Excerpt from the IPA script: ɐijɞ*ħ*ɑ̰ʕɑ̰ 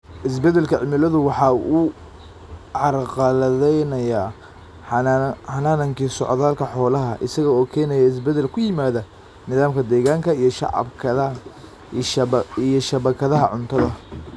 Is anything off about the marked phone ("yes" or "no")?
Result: yes